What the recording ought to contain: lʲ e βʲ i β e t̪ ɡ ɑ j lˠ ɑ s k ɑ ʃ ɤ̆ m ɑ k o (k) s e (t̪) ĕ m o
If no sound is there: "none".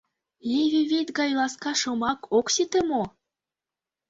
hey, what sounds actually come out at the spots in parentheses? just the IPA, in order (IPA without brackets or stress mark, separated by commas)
k, t̪